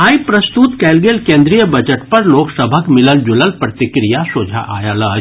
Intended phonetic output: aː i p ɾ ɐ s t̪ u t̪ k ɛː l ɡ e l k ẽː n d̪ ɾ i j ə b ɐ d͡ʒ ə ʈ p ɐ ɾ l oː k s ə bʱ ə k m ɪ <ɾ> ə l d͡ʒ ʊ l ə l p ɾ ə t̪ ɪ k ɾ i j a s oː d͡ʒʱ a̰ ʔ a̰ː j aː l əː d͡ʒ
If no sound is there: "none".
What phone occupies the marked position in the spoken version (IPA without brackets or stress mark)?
l